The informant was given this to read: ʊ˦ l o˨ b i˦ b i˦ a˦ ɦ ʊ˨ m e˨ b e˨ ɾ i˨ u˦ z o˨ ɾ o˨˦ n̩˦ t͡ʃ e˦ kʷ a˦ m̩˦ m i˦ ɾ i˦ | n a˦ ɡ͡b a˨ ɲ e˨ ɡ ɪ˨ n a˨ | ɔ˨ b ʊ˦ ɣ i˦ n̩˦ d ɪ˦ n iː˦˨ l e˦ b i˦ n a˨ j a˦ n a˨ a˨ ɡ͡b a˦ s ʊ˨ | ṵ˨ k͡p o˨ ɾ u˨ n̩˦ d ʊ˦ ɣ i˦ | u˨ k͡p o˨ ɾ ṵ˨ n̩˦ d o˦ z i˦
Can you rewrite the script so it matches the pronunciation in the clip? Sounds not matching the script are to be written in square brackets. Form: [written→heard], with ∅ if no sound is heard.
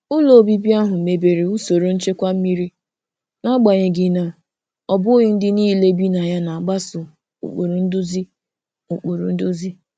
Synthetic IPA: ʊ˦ l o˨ b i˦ b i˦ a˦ ɦ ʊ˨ m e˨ b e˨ ɾ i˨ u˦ [z→s] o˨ ɾ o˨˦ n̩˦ t͡ʃ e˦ kʷ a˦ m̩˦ m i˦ ɾ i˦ | n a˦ ɡ͡b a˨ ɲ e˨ ɡ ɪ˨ n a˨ | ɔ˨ b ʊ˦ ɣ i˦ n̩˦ d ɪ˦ n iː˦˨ l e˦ b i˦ n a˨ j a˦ n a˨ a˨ ɡ͡b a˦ s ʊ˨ | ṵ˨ k͡p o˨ ɾ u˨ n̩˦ d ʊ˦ [ɣ→z] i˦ | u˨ k͡p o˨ ɾ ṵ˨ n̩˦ d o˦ z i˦